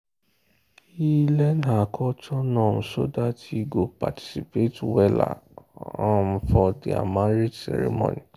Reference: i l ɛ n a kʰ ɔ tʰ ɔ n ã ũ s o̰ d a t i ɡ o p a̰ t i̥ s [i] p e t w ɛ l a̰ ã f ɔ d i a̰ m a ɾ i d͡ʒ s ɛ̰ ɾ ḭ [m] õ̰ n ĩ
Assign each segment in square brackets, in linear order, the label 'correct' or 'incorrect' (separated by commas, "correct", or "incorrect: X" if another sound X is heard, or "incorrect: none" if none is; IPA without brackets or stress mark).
correct, correct